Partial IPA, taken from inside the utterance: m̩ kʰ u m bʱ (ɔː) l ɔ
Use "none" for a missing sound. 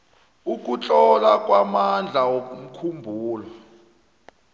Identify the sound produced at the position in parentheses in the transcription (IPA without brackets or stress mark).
uː